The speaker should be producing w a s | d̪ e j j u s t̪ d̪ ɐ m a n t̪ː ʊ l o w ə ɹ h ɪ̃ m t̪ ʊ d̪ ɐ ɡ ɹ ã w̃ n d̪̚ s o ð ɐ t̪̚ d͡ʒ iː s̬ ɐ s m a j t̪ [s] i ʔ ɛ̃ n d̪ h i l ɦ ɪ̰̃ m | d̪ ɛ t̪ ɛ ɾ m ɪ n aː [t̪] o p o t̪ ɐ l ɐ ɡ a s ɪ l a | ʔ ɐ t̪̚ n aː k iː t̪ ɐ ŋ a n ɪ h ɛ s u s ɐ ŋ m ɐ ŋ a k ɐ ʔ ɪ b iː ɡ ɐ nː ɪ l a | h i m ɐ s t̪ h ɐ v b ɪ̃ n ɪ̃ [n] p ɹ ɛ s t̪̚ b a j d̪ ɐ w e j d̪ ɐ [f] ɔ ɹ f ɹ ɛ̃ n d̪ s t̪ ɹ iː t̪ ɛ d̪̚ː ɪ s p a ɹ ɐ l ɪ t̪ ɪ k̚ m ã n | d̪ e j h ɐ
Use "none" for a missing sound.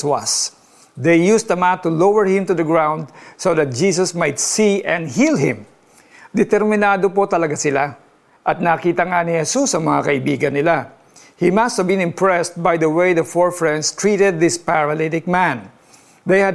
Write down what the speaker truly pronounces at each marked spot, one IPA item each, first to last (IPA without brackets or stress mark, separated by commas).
s, d̪, m, f